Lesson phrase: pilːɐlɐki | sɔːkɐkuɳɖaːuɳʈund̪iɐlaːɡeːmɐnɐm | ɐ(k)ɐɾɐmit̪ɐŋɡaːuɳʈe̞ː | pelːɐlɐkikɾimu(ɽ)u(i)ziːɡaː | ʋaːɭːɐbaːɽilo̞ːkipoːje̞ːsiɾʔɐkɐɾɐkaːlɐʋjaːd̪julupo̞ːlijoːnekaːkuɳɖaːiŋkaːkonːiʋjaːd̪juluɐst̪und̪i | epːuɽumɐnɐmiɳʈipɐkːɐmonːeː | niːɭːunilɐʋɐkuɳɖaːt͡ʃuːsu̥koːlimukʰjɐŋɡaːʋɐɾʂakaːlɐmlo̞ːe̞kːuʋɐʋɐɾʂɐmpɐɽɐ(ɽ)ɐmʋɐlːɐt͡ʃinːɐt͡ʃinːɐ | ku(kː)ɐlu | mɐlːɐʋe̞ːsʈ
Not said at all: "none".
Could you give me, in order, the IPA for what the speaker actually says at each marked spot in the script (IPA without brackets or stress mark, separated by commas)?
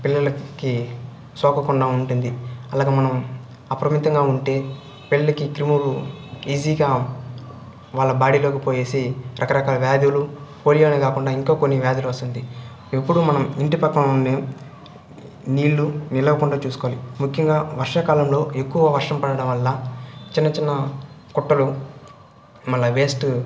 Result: p, l, iː, ɽ, ʈː